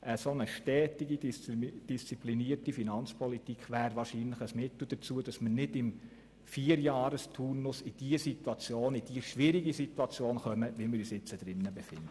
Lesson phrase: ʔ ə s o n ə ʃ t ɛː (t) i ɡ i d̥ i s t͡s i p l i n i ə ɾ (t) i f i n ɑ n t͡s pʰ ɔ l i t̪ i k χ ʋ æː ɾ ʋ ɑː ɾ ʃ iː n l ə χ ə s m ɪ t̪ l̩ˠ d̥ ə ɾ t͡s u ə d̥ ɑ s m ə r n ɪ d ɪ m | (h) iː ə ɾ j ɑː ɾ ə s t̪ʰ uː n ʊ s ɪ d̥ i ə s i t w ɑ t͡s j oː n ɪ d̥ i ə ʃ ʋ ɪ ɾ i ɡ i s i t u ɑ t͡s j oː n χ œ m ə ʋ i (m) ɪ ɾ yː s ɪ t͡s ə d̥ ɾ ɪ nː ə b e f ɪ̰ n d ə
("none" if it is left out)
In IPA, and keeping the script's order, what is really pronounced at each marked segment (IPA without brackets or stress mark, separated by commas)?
t, t, f, m